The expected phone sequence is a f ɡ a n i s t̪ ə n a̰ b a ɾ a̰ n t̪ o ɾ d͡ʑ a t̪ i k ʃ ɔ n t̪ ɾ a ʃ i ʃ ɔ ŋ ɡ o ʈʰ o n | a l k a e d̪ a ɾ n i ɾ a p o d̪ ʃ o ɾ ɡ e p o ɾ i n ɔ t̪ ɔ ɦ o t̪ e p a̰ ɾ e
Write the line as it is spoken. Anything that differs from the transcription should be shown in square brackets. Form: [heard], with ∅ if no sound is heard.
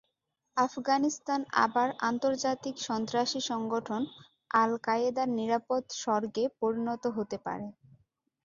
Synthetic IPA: a f ɡ a n i s t̪ [a] n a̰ b a ɾ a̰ n t̪ o ɾ d͡ʑ a t̪ i k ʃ ɔ n t̪ ɾ a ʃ i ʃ ɔ ŋ ɡ o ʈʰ o n | a l k a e d̪ a ɾ n i ɾ a p o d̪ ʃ [ɔ] ɾ ɡ e p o ɾ i n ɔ t̪ [o] ɦ o t̪ e p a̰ ɾ e